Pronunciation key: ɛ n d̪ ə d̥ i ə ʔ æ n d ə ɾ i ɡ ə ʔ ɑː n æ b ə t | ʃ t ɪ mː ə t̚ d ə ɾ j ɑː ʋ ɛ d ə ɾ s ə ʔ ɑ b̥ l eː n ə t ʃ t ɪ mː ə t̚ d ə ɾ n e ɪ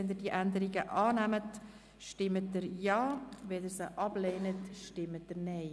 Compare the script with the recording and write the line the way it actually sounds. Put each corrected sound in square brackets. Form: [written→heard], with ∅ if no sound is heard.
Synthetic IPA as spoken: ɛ n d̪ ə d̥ i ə ʔ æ n d ə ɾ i ɡ ə ʔ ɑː n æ [b→m] ə t | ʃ t ɪ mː ə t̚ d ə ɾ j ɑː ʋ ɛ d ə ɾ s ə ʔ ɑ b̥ l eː n ə t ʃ t ɪ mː ə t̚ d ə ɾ n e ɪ